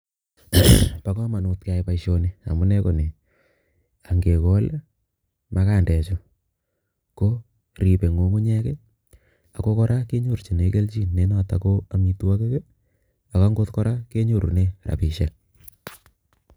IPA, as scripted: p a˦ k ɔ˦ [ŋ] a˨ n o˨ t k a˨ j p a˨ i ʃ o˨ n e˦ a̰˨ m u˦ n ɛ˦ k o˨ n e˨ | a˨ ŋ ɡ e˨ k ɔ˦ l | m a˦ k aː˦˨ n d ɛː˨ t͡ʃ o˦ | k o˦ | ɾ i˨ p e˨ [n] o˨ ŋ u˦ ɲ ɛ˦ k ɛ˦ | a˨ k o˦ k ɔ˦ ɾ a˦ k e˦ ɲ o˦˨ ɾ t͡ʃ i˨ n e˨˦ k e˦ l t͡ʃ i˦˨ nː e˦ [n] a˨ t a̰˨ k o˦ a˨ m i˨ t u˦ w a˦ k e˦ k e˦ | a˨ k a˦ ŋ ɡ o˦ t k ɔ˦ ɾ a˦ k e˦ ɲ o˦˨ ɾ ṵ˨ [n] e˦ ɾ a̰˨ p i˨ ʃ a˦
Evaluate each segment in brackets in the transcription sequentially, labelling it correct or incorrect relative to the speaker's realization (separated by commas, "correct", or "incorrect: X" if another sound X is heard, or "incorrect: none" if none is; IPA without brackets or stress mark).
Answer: incorrect: m, incorrect: ŋ, correct, correct